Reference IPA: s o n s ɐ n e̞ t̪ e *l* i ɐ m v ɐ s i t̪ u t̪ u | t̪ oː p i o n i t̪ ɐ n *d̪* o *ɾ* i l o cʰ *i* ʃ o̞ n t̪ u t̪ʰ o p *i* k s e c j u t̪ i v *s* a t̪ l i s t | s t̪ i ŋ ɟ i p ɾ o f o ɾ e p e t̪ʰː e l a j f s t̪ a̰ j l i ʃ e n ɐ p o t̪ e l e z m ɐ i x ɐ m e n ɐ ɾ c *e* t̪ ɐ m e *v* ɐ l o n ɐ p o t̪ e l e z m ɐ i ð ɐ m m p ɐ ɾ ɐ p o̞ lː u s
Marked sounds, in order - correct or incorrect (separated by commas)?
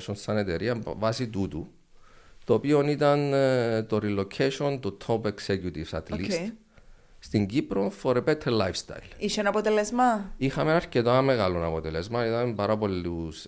incorrect, incorrect, correct, incorrect, incorrect, correct, correct, incorrect